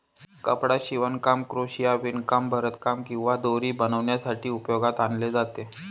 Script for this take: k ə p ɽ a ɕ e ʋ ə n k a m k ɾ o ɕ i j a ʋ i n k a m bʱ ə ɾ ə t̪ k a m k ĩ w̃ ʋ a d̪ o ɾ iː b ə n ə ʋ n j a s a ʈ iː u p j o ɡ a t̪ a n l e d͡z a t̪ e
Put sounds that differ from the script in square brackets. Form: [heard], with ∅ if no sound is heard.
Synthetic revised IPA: k ə p ɽ a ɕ [i] ʋ ə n k a m k ɾ o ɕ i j a ʋ i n k a m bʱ ə ɾ ə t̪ k a m k ĩ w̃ ʋ a d̪ o ɾ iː b ə n ə ʋ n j a s a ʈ iː u p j o ɡ a t̪ a n l e d͡z a t̪ e